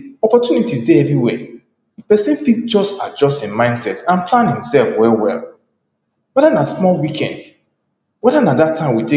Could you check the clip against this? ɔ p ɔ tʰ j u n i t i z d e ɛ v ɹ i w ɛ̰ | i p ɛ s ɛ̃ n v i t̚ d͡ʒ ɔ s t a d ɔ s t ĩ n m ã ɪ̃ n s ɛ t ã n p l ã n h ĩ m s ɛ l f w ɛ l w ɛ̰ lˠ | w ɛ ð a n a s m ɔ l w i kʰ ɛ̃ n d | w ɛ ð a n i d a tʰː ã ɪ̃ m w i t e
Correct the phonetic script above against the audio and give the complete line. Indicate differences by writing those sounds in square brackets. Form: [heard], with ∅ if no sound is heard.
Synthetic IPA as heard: ɔ p ɔ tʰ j u n i t i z d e ɛ v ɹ i w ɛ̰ | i p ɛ s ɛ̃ n [f] i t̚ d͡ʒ ɔ s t a [d͡ʒ] ɔ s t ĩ n m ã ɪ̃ n s ɛ t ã n p l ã n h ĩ m s ɛ l f w ɛ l w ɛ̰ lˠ | w ɛ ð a n a s m ɔ l w i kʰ ɛ̃ n d | w ɛ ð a n [a] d a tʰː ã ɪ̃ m w i t e